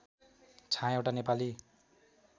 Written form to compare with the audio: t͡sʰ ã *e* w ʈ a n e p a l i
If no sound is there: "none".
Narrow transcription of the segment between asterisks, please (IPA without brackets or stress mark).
e